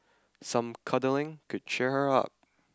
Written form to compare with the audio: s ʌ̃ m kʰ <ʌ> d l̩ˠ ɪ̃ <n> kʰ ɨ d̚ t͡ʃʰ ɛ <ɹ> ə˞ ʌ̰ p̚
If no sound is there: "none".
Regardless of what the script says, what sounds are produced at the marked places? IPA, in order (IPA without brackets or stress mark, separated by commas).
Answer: ʌ, ŋ, ɹ